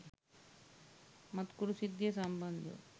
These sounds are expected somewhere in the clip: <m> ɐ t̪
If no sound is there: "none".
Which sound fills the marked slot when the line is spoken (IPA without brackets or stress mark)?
m